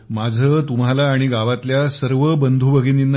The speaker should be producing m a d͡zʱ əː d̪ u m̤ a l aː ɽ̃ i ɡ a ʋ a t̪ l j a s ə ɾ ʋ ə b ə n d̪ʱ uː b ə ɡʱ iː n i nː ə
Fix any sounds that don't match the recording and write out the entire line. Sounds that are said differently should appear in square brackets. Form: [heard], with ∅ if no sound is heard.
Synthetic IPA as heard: m a d͡zʱ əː [t̪] u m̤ a l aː ɽ̃ i ɡ a ʋ a t̪ l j a s ə ɾ ʋ ə b ə n d̪ʱ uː b ə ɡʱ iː n i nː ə